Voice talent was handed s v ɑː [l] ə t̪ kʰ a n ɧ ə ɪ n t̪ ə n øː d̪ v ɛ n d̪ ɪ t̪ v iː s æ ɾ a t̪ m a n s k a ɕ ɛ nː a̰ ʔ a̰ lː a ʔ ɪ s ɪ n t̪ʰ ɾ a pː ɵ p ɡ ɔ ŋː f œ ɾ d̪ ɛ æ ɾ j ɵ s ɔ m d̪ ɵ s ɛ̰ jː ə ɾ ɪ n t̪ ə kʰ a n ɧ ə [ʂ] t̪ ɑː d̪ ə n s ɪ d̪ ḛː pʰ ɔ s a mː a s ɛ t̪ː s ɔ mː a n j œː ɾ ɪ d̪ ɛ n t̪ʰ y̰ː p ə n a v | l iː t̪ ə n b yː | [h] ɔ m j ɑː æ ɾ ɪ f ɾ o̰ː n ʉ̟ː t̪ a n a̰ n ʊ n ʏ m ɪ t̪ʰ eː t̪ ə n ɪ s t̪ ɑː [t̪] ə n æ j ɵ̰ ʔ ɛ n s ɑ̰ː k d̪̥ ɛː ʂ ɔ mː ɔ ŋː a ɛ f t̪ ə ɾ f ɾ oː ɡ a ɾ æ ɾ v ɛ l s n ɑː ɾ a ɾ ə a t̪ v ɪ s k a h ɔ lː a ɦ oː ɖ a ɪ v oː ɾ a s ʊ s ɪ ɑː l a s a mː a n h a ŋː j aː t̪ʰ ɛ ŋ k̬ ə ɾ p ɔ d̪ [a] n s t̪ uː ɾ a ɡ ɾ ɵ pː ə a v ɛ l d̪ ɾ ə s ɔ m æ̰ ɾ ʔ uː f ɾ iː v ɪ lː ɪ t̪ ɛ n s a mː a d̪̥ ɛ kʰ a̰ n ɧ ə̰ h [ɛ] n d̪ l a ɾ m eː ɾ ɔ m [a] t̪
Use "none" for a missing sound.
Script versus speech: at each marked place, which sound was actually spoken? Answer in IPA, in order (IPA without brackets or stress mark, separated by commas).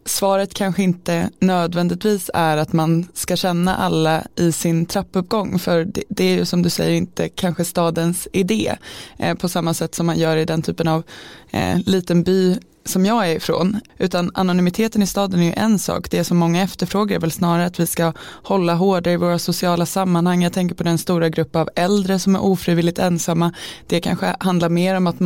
ɾ, s, s, d̪, ɛ, a, a